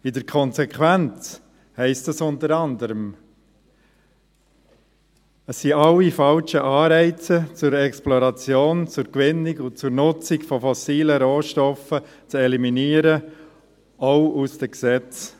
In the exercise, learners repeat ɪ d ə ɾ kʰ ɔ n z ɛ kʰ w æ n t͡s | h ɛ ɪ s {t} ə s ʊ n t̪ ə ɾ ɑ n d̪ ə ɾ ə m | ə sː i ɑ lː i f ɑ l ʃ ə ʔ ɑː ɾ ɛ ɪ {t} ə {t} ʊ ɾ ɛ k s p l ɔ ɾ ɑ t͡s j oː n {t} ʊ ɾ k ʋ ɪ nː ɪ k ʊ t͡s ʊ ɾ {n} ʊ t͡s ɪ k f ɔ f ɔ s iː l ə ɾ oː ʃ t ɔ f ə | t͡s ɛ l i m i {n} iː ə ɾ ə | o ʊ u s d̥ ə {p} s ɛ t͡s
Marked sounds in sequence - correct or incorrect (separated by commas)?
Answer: correct, incorrect, incorrect, incorrect, correct, correct, incorrect